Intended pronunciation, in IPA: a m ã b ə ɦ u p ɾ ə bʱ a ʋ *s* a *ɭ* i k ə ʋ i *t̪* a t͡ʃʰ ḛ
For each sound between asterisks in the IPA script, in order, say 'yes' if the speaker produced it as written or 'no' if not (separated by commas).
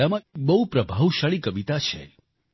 no, yes, yes